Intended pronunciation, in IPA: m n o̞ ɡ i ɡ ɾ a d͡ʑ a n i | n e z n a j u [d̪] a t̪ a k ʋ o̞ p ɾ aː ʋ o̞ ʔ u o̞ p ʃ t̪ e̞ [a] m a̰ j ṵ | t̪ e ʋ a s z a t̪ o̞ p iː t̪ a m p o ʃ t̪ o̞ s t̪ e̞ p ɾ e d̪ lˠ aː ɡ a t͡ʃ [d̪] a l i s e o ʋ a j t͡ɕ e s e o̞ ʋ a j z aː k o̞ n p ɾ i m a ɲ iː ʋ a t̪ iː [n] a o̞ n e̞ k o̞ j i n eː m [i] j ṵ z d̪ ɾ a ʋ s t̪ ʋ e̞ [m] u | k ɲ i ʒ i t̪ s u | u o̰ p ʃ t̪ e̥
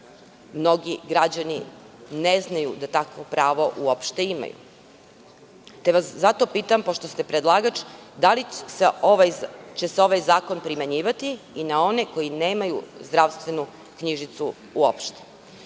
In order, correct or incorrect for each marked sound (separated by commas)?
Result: correct, incorrect, correct, correct, incorrect, incorrect